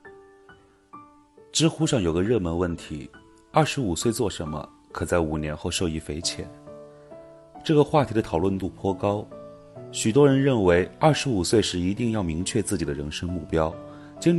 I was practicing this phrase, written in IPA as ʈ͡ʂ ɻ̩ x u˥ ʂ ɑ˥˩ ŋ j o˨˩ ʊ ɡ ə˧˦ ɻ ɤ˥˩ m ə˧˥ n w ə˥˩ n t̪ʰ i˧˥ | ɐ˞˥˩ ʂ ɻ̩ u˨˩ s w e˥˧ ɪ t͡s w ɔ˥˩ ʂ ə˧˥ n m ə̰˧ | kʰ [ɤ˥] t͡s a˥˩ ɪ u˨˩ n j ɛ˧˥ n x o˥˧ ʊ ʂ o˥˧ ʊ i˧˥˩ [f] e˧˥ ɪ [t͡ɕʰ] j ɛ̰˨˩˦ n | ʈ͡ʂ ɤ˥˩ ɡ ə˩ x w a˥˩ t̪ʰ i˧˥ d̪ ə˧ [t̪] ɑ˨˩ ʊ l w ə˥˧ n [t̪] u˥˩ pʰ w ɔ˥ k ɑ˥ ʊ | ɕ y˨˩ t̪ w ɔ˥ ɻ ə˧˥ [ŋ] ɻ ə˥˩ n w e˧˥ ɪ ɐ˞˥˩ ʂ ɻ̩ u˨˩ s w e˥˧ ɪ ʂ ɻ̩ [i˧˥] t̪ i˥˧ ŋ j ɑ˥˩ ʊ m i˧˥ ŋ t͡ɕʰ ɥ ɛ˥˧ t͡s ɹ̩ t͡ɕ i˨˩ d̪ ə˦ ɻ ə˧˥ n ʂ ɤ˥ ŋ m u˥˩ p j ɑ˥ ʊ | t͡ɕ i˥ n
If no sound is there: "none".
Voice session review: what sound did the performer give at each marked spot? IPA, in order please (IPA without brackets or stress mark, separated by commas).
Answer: ɤ˨˩, f, t͡ɕʰ, t̪ʰ, t̪, n, i˧˥